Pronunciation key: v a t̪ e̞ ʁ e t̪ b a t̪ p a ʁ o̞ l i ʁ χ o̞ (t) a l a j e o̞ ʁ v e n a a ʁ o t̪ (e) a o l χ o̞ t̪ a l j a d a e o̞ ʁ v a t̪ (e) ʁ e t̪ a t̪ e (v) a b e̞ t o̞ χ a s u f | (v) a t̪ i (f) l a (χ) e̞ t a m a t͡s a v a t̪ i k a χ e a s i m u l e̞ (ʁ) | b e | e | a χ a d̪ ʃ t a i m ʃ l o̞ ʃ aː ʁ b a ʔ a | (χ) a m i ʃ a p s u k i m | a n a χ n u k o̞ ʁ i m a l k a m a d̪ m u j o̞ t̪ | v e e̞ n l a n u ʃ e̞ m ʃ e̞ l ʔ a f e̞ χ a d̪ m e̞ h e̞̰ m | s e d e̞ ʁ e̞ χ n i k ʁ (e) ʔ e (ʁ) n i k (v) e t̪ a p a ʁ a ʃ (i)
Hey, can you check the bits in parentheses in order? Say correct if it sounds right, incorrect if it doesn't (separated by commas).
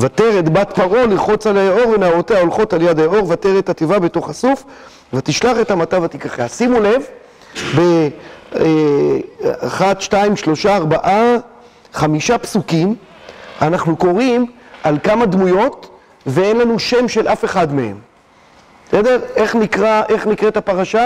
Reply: incorrect, correct, correct, correct, correct, incorrect, correct, incorrect, correct, incorrect, incorrect, incorrect, incorrect